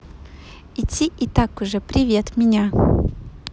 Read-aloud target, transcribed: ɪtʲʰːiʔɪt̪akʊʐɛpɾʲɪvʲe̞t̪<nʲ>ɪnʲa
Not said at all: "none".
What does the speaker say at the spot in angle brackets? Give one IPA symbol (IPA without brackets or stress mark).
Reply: mʲ